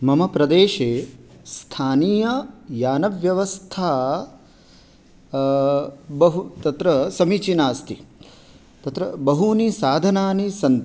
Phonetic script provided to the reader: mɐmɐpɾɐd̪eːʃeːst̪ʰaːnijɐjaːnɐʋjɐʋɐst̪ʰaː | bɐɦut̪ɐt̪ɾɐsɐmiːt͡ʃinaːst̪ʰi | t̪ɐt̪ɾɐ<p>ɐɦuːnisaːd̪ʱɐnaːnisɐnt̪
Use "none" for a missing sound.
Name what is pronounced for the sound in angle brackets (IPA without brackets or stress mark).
b